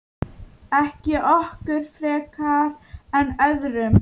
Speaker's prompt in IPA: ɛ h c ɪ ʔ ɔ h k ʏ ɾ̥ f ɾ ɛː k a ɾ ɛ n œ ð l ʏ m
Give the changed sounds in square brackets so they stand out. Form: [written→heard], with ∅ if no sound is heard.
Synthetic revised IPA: ɛ h c ɪ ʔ ɔ h k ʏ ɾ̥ f ɾ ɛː k a ɾ ɛ n œ ð [l→ɾ] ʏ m